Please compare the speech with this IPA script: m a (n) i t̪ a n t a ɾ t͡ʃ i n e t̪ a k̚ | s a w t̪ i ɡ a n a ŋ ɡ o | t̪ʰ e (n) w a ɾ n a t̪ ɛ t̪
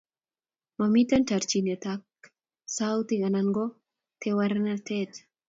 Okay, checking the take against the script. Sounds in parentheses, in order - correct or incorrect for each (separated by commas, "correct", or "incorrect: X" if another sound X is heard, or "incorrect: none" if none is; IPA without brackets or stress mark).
incorrect: m, incorrect: none